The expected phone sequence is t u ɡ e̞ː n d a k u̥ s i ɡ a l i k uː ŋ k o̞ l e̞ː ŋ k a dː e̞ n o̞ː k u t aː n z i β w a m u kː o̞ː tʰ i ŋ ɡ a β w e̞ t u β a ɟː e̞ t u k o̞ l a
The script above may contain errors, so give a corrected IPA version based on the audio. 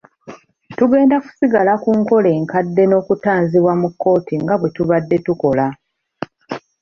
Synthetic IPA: t u ɡ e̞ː n d a k u̥ s i ɡ a l a k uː ŋ k o̞ l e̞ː ŋ k a dː e̞ n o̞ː k u t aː n z i β w a m u kː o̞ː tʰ i ŋ ɡ a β w e̞ t u β a dː e̞ t u k o̞ l a